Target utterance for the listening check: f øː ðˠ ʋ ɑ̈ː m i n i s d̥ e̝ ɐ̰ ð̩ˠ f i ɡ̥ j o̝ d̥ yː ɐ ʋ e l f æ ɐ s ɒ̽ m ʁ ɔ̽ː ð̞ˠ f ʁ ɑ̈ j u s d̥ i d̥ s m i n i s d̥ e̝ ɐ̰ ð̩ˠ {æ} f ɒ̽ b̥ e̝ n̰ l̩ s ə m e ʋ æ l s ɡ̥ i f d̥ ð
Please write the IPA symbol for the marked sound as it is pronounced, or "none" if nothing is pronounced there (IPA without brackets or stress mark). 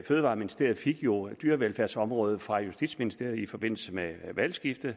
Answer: i